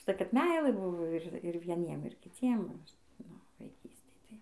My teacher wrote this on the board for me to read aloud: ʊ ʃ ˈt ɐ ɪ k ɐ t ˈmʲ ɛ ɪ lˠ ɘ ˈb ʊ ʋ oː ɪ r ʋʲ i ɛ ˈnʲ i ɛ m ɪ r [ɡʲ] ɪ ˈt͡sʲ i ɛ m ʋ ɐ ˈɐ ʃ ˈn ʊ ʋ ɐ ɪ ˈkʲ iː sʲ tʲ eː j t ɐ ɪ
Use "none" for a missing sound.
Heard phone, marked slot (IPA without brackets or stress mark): kʲ